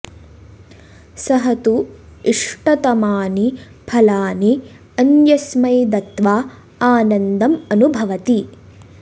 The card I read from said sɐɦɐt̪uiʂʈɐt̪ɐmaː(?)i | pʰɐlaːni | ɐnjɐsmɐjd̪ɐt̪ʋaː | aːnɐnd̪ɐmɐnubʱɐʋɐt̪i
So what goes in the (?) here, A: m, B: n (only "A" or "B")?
B